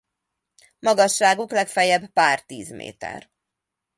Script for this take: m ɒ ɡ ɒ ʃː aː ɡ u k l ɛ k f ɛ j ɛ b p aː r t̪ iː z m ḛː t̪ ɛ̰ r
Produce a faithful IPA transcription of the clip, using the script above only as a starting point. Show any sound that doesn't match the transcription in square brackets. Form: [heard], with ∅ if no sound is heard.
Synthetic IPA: m ɒ ɡ ɒ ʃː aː ɡ u k l ɛ k f ɛ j ɛ b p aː r t̪ iː z m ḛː t̪ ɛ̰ r